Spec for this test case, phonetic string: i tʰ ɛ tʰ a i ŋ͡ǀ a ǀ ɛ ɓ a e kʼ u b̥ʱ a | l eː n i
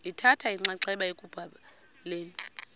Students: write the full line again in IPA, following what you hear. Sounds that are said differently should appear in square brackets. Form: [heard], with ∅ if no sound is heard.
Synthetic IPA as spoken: i tʰ [a] tʰ a i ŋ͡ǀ a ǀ ɛ ɓ a e kʼ u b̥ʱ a | l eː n i